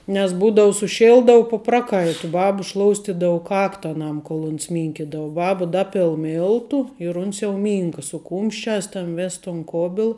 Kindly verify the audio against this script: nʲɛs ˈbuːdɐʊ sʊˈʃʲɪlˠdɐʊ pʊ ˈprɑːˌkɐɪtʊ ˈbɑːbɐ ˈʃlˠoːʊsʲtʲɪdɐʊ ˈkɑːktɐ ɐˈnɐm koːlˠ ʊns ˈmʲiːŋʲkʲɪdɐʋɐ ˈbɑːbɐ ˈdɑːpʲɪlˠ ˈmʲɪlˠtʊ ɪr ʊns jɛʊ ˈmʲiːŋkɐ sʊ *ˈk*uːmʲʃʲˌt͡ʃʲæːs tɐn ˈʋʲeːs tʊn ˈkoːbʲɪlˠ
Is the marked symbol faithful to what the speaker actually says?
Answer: yes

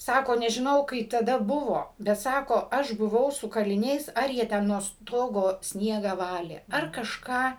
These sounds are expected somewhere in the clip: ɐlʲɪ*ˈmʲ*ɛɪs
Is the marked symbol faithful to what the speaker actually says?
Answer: no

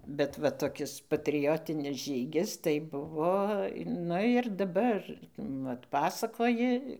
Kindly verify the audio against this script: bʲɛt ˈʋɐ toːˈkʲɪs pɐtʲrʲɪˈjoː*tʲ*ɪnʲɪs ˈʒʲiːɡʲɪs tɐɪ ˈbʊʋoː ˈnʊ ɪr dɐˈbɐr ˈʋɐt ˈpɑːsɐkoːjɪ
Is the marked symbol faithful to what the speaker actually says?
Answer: yes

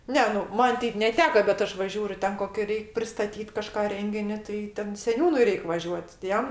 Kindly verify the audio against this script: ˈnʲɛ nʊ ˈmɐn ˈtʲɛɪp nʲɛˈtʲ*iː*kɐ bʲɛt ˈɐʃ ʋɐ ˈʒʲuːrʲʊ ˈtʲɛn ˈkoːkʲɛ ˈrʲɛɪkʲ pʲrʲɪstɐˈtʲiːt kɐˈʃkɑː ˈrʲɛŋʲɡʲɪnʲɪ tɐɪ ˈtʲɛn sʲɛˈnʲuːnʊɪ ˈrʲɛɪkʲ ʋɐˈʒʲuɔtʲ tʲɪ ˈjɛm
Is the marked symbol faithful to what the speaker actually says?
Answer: no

